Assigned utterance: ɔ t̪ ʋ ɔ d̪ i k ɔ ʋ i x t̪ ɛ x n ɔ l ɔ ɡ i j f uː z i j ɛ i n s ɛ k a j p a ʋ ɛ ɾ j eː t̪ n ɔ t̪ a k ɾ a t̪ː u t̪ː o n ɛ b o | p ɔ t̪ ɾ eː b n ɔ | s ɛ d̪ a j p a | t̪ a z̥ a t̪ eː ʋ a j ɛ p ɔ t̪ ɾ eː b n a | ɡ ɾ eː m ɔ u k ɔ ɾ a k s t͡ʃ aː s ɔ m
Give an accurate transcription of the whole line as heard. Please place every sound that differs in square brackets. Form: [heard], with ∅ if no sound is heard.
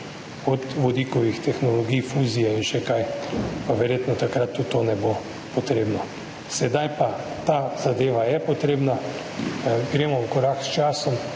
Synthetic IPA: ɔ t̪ ʋ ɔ d̪ i k ɔ ʋ i x t̪ ɛ x n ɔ l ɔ ɡ i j f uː z i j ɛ i n [ʃ] ɛ k a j p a ʋ ɛ ɾ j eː t̪ n ɔ t̪ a k ɾ a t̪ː u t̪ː o n ɛ b o | p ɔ t̪ ɾ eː b n ɔ | s ɛ d̪ a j p a | t̪ a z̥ a [d̪] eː ʋ a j ɛ p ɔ t̪ ɾ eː b n a | ɡ ɾ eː m ɔ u k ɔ ɾ a k s t͡ʃ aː s ɔ m